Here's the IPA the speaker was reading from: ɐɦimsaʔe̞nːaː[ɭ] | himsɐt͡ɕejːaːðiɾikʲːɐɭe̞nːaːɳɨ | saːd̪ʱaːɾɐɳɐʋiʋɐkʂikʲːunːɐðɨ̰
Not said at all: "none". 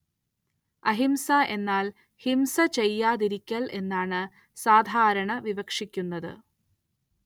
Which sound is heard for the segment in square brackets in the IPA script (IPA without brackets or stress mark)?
l